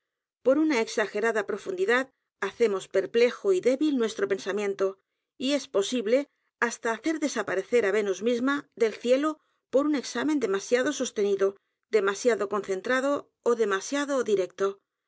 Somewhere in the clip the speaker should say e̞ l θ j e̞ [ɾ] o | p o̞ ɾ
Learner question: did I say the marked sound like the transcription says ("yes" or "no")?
no